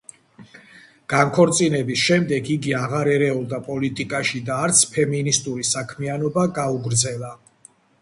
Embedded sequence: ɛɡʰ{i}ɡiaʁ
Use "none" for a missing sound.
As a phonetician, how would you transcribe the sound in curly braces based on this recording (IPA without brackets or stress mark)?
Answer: i